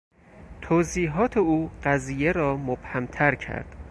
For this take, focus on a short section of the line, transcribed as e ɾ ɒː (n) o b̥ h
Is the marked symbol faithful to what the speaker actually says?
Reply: no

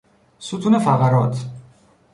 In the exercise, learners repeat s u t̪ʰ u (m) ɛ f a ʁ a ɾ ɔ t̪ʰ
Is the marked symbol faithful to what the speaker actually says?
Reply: no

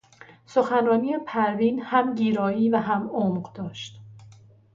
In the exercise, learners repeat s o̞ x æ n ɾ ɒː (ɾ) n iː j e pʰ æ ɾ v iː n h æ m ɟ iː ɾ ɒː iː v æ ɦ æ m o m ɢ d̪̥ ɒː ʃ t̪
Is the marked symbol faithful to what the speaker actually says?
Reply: no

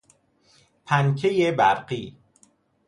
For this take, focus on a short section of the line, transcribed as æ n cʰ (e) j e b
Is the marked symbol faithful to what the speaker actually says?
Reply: yes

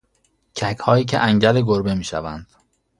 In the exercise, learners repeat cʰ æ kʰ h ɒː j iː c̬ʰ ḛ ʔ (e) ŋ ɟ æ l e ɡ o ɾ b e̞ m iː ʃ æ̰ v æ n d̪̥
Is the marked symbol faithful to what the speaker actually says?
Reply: no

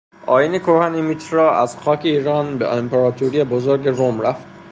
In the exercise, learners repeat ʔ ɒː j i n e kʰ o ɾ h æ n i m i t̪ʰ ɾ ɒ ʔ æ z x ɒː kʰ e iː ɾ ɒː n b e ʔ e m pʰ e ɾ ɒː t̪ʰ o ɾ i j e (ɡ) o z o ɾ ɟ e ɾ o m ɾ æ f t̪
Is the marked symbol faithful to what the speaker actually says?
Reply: no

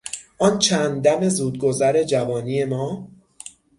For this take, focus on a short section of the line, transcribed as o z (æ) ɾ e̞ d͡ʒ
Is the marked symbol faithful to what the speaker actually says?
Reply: yes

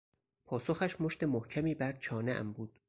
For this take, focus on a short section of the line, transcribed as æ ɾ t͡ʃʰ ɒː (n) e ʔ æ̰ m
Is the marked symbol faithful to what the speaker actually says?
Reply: yes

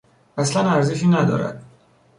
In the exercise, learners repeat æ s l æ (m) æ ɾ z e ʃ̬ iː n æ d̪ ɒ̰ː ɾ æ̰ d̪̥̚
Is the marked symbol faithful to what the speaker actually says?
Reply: no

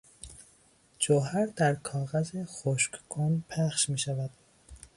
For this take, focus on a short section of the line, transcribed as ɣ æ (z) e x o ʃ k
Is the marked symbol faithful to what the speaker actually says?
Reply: yes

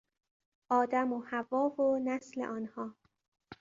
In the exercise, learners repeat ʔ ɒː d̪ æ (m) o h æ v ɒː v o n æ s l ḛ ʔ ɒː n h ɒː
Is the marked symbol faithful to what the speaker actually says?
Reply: yes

